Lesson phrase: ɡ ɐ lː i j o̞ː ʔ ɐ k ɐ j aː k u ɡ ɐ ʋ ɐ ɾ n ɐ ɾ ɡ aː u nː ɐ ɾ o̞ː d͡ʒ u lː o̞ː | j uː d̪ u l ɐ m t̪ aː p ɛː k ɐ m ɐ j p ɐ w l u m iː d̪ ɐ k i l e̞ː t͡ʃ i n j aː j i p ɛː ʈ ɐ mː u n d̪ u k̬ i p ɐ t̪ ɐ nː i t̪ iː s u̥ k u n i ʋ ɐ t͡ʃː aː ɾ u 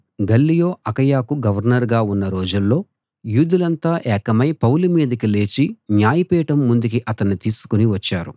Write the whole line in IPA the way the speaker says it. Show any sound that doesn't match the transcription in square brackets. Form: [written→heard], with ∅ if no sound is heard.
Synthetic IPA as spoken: ɡ ɐ lː i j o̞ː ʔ ɐ k ɐ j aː k u ɡ ɐ ʋ ɐ ɾ n ɐ ɾ ɡ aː u nː ɐ ɾ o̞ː d͡ʒ u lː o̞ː | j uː d̪ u l ɐ [m→n] t̪ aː [p→ʔ] ɛː k ɐ m ɐ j p ɐ w l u m iː d̪ ɐ k i l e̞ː t͡ʃ i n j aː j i p ɛː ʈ ɐ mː u n d̪ u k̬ i [p→ʔ] ɐ t̪ ɐ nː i t̪ iː s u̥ k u n i ʋ ɐ t͡ʃː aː ɾ u